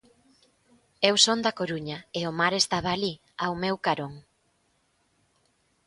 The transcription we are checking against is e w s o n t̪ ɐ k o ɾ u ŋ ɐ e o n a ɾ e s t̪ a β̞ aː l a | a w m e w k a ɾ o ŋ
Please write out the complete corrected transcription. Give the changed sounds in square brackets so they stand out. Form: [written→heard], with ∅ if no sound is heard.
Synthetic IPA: e w s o n [t̪→d̪] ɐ k o ɾ u [ŋ→ɲ] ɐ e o [n→m] a ɾ e s t̪ a β̞ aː l [a→i] | a w m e w k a ɾ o ŋ